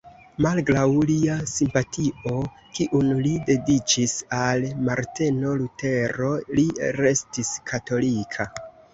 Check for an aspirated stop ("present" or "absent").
present